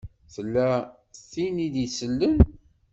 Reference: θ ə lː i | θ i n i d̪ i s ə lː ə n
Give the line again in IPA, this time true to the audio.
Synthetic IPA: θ ə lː æ | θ i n i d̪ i s ə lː ə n